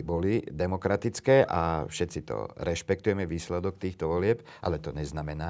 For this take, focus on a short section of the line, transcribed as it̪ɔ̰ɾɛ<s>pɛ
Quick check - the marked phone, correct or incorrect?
incorrect